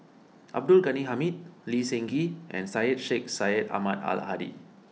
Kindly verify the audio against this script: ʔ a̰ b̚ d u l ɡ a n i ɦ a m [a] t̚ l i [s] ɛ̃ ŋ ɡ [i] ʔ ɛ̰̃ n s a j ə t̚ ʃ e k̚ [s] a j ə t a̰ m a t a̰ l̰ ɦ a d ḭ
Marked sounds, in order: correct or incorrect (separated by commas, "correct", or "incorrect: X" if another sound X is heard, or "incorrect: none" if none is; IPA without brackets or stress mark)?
incorrect: i, correct, correct, correct